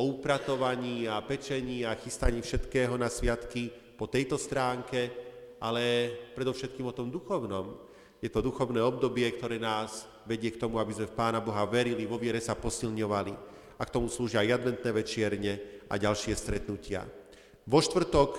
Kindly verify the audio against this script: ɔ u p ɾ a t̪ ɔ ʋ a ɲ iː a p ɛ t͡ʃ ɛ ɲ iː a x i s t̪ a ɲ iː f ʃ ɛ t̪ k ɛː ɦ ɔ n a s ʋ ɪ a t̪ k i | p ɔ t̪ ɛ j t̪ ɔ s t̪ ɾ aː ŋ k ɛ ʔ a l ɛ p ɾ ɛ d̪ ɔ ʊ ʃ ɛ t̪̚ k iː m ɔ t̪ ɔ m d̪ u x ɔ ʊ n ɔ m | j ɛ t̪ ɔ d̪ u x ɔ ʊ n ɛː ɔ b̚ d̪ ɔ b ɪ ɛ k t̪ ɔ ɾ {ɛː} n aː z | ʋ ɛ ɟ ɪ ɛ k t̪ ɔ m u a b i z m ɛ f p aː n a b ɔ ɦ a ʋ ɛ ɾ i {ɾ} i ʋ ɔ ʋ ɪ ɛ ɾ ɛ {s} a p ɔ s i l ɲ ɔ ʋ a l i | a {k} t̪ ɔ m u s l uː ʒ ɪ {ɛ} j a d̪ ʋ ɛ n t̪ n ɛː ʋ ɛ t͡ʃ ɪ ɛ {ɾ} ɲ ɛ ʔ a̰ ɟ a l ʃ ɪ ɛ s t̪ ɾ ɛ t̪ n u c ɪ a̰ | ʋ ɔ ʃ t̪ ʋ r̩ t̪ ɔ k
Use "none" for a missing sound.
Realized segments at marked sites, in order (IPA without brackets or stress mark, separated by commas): ɛː, l, s, k, a, ɾ